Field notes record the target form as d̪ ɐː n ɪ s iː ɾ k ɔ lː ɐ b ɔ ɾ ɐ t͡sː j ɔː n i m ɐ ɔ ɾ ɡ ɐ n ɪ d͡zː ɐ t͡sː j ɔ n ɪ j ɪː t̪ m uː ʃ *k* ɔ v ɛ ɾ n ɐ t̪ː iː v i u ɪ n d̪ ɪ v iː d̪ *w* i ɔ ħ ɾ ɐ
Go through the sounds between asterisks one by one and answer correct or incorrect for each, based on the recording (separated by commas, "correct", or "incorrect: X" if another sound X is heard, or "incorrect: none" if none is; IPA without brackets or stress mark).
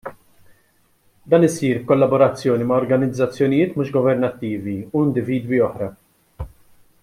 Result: incorrect: ɡ, correct